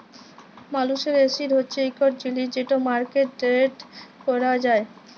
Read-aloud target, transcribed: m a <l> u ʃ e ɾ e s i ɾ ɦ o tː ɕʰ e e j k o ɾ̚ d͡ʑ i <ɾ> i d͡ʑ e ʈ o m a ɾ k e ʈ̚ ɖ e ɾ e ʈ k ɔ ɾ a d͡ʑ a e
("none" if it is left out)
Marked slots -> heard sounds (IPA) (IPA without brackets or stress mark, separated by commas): l, l